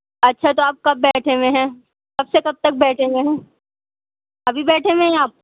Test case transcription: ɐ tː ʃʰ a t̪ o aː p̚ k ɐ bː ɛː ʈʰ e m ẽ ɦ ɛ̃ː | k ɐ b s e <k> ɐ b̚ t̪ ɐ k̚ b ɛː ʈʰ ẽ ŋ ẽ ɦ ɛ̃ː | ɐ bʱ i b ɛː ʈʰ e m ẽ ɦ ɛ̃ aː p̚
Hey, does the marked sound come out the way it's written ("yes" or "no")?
yes